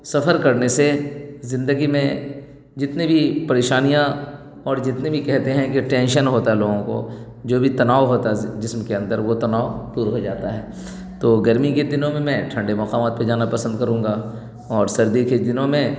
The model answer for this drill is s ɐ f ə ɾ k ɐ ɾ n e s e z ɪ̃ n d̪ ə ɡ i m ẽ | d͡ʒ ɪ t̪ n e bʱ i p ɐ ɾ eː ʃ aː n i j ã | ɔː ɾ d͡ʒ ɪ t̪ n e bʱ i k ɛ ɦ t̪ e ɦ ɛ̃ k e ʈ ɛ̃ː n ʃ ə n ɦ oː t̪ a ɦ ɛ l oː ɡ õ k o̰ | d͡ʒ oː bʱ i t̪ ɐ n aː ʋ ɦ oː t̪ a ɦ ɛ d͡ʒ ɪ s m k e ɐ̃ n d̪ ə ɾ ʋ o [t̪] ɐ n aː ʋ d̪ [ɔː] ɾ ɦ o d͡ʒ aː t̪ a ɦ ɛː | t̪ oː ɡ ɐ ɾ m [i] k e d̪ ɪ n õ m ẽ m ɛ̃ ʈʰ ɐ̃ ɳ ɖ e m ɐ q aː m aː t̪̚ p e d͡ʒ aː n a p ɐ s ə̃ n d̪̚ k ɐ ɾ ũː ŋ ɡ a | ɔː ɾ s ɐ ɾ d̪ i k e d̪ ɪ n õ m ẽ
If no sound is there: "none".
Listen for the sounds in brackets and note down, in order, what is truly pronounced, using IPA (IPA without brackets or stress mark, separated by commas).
t̪, uː, i